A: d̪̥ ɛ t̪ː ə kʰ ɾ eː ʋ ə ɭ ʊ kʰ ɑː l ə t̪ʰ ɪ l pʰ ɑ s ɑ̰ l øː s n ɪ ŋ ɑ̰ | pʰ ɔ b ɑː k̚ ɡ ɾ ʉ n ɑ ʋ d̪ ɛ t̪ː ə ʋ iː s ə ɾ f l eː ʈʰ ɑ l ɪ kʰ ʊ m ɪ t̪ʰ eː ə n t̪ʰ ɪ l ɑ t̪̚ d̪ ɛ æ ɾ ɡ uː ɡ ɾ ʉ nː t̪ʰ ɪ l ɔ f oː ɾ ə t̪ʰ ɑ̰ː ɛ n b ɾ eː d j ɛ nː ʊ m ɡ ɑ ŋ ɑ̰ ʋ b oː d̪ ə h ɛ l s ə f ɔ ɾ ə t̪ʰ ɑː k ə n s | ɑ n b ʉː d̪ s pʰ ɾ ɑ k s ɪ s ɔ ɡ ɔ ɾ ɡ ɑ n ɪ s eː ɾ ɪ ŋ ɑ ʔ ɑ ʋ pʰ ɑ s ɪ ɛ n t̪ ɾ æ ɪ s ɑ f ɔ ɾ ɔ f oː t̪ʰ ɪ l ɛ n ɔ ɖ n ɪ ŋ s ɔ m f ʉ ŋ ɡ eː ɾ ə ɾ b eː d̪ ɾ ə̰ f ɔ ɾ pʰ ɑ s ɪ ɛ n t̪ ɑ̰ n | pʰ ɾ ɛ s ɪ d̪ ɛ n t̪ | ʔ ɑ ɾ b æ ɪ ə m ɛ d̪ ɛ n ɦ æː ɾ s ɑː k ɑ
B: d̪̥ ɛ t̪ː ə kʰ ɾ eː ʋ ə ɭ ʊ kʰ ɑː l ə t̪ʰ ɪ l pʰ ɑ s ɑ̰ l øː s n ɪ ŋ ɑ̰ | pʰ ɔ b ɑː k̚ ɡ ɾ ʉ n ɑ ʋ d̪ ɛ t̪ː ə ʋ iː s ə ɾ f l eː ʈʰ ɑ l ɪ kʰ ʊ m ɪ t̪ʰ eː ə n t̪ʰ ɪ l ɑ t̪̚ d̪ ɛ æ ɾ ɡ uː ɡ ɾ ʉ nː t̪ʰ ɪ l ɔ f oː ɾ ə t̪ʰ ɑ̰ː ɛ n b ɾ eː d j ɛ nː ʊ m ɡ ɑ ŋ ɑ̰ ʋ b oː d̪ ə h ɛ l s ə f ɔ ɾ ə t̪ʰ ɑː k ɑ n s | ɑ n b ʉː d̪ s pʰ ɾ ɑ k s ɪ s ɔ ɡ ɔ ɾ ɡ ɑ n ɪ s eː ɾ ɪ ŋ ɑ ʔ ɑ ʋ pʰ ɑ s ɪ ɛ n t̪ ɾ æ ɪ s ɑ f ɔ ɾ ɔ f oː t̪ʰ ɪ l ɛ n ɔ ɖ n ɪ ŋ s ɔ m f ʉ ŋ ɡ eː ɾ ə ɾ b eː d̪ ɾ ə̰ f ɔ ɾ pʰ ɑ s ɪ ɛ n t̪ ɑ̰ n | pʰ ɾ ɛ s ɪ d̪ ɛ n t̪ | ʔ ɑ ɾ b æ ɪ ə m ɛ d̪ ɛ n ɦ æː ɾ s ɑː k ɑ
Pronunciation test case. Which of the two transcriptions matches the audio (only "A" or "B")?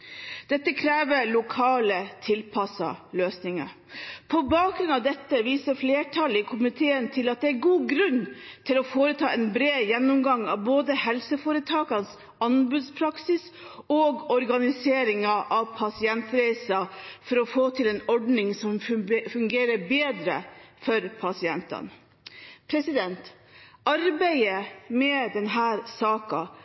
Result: B